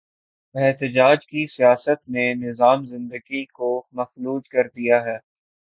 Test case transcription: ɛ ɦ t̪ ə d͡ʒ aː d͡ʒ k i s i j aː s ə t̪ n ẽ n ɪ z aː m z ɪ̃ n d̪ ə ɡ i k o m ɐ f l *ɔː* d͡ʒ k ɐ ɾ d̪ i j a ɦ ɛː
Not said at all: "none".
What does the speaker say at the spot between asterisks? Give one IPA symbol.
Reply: uː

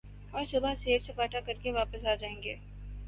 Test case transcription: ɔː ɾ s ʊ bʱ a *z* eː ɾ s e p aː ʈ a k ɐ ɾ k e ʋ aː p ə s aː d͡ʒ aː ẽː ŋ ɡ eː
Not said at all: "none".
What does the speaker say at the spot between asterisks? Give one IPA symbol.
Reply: s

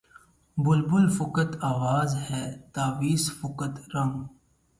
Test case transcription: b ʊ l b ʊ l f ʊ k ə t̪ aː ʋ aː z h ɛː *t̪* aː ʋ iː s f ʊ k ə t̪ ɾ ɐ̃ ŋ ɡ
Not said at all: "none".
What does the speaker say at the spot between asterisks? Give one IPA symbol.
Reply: t̪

